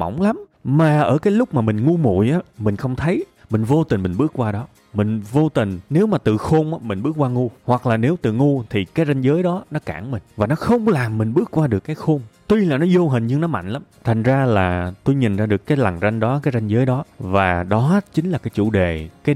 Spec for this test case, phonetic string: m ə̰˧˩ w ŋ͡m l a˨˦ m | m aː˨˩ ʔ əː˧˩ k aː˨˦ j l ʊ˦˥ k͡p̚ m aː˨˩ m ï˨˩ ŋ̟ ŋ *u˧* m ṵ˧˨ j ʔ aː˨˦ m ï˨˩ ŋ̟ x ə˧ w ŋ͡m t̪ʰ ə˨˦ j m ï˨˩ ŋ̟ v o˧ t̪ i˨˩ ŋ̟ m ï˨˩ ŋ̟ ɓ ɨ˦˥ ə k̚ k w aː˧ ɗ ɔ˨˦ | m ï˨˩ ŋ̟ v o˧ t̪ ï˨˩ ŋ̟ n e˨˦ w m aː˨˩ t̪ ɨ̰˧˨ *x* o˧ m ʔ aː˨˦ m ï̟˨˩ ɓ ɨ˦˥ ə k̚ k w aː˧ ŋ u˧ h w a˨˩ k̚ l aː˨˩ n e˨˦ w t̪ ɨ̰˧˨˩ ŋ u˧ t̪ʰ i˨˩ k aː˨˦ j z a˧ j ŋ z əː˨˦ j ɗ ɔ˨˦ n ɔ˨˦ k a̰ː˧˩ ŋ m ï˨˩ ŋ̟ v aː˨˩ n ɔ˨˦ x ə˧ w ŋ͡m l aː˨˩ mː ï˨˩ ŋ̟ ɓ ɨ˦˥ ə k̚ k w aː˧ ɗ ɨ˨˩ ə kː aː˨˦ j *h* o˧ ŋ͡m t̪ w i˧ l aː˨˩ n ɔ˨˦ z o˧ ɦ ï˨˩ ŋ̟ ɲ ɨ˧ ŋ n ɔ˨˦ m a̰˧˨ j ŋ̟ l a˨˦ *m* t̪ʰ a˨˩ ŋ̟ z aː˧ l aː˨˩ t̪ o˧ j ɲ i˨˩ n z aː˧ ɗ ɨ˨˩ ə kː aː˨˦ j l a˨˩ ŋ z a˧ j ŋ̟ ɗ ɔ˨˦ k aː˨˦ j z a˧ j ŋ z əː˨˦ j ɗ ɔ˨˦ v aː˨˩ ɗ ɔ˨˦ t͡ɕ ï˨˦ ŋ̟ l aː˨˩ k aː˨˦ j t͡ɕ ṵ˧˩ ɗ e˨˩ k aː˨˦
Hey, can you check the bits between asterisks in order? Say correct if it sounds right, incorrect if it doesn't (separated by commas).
correct, correct, incorrect, correct